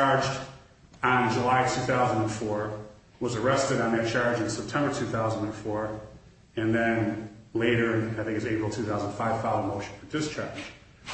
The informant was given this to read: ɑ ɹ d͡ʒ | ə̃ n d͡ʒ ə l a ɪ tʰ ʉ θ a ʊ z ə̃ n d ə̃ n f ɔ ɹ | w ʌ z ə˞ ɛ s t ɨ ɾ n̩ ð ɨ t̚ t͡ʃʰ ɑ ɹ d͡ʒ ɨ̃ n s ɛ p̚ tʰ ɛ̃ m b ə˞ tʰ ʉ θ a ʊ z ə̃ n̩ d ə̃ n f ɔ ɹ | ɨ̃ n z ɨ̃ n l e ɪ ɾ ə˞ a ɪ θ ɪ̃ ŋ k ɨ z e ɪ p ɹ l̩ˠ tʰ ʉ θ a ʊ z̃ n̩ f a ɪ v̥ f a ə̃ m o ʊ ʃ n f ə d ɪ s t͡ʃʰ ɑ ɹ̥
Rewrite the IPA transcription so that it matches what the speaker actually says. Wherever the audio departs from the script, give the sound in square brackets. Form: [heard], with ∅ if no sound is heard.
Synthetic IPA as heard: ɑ ɹ d͡ʒ | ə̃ n d͡ʒ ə l a ɪ tʰ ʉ θ a ʊ z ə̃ n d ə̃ n f ɔ ɹ | w ʌ z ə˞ ɛ s t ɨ ɾ n̩ ð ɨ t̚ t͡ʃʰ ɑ ɹ d͡ʒ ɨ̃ n s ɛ p̚ tʰ ɛ̃ m b ə˞ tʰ ʉ θ a ʊ z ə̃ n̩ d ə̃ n f ɔ ɹ | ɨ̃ n [ð] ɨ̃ n l e ɪ ɾ ə˞ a ɪ θ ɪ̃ ŋ k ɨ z e ɪ p ɹ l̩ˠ tʰ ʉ θ a ʊ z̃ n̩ f a ɪ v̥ f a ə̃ m o ʊ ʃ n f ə d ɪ s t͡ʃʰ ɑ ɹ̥